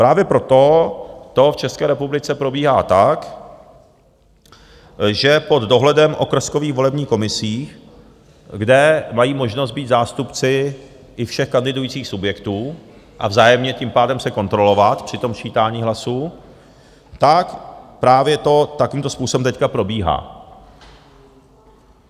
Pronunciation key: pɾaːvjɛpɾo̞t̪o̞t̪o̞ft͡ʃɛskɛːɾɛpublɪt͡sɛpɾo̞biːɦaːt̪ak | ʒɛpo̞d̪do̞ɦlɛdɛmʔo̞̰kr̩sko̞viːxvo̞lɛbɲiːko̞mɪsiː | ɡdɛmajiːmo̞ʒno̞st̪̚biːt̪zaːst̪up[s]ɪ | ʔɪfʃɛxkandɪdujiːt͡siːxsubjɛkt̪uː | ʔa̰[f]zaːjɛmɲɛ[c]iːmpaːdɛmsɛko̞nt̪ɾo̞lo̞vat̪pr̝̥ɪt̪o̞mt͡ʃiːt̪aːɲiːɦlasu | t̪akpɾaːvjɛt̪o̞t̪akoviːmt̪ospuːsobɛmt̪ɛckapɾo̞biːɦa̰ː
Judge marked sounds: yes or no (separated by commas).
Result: no, no, yes